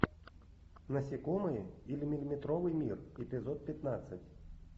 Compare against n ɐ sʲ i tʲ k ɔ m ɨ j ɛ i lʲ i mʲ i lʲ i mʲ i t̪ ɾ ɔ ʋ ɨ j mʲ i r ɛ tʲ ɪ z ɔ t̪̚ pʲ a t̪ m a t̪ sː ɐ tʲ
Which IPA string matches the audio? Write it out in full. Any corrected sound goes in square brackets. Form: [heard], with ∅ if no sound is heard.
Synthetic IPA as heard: n ɐ sʲ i [∅] k ɔ m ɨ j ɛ i lʲ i mʲ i lʲ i mʲ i t̪ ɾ ɔ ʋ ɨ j mʲ i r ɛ [pʲ] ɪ z ɔ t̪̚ pʲ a t̪ [n] a t̪ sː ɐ tʲ